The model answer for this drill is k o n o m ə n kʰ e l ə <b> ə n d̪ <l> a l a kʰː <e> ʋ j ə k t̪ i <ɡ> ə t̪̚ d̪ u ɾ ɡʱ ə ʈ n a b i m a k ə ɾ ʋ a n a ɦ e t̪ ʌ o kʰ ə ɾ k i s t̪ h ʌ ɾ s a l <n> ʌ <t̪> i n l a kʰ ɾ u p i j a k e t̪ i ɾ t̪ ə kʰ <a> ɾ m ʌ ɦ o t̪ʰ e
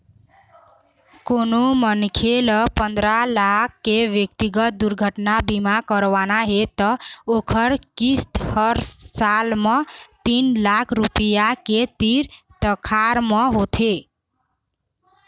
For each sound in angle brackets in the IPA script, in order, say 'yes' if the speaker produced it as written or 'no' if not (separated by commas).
no, no, yes, yes, no, yes, yes